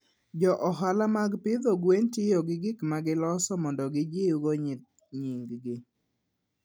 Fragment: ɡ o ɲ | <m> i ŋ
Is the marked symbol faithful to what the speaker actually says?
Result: no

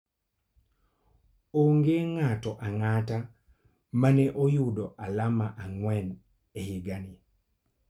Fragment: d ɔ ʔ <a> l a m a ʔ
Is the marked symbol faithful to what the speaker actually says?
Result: yes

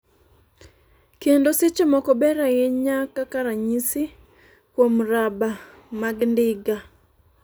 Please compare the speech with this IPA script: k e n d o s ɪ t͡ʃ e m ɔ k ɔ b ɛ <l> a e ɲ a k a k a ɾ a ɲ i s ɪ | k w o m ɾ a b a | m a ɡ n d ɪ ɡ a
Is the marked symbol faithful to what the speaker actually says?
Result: no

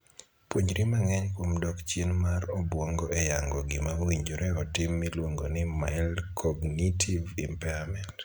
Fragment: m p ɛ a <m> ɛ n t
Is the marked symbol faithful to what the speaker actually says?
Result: yes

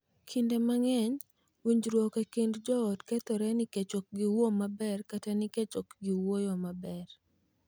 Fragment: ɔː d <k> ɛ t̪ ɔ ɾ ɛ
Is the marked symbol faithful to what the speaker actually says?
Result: yes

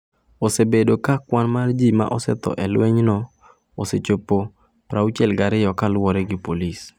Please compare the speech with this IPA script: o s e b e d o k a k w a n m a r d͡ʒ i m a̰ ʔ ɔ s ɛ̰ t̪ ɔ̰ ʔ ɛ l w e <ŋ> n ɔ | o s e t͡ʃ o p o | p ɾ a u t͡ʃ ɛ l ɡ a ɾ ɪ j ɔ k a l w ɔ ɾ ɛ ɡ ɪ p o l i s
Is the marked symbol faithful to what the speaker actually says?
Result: no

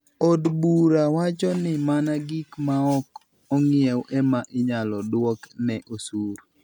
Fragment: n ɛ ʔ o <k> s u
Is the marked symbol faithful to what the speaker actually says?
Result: no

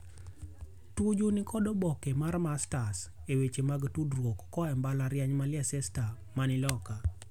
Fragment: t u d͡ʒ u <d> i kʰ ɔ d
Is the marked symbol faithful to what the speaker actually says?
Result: no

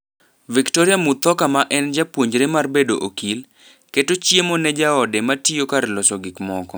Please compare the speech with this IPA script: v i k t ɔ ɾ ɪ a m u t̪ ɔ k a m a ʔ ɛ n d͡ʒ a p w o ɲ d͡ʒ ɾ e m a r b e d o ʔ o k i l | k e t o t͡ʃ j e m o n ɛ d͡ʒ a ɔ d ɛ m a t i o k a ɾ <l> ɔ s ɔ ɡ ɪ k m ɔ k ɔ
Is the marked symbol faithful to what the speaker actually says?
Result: yes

